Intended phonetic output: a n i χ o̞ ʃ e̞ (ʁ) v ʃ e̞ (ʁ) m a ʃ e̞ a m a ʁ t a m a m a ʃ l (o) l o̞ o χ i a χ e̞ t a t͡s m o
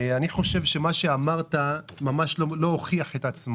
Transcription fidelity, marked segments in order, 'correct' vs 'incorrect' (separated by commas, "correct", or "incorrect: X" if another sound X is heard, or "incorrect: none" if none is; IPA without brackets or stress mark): incorrect: none, incorrect: none, correct